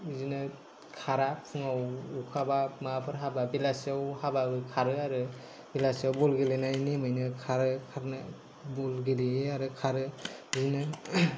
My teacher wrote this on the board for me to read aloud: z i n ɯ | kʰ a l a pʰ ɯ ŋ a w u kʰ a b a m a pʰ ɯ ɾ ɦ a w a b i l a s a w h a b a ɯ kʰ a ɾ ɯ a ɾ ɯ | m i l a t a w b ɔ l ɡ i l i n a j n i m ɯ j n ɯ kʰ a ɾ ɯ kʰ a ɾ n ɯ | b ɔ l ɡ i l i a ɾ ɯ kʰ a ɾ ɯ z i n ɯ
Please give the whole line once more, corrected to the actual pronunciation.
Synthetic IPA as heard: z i n ɯ | kʰ a ɾ a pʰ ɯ ŋ a w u kʰ a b a m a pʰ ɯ ɾ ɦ a b a b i l a s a w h a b a ɯ kʰ a ɾ ɯ a ɾ ɯ | b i l a s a w b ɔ l ɡ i l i n a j n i m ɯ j n ɯ kʰ a ɾ ɯ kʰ a ɾ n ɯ | b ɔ l ɡ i l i a ɾ ɯ kʰ a ɾ ɯ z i n ɯ